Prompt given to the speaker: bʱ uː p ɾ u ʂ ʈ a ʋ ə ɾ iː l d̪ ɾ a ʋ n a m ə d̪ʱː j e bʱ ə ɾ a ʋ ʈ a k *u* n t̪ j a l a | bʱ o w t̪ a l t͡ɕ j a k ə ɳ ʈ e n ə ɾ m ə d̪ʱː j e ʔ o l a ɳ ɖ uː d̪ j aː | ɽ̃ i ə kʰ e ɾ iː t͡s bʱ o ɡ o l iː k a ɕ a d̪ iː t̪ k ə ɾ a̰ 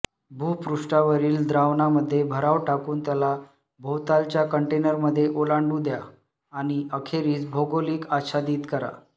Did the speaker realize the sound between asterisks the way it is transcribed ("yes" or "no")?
no